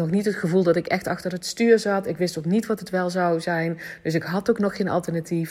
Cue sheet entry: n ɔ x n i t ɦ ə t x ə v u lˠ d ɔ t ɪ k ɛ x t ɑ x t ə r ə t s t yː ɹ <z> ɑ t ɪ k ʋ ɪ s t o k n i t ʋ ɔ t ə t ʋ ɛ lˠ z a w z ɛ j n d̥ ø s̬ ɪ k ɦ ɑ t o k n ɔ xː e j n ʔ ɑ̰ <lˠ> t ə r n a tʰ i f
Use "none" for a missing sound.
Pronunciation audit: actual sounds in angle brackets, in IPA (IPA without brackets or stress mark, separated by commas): z, lˠ